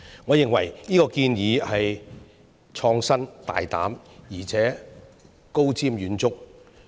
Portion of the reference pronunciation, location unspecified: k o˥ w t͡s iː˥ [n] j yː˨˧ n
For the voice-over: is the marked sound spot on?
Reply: no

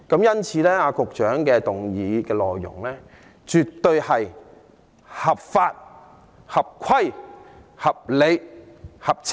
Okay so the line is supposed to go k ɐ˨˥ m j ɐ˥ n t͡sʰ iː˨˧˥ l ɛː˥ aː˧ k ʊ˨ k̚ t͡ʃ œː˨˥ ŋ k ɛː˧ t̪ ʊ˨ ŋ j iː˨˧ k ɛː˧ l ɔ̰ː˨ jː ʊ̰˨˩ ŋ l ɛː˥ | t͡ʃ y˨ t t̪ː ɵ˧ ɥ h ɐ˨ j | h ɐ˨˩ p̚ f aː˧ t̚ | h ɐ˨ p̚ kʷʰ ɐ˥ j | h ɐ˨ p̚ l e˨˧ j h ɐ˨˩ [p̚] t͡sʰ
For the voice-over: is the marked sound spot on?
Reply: yes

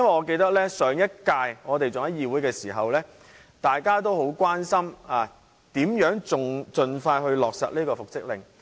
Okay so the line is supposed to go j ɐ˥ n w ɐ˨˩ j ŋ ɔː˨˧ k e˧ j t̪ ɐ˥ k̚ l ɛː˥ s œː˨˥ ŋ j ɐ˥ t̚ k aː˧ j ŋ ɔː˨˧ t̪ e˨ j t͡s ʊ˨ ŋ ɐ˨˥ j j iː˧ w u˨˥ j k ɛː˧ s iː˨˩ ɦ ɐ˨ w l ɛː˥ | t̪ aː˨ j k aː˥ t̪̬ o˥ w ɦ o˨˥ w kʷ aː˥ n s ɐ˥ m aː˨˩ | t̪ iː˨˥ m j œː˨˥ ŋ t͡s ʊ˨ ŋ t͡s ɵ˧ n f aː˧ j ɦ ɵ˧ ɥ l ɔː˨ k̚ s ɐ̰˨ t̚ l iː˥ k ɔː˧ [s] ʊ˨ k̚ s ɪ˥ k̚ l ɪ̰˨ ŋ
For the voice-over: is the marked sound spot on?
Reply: no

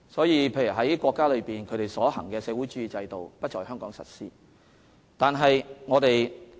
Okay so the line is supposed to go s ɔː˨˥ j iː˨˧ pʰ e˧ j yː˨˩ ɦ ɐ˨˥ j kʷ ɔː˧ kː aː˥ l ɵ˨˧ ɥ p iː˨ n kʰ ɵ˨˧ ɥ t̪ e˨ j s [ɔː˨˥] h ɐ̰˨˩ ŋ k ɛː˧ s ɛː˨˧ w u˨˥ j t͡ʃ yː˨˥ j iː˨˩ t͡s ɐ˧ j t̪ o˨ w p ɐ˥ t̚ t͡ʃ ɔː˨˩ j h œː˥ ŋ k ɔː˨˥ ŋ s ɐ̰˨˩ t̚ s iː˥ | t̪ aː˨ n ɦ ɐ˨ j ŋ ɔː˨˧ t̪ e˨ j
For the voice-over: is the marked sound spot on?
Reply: yes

